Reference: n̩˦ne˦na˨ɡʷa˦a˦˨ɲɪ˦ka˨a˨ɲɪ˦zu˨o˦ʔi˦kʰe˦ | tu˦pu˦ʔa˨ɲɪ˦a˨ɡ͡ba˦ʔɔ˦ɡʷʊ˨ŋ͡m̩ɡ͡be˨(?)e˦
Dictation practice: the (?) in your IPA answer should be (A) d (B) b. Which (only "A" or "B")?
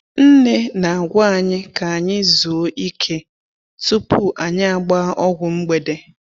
A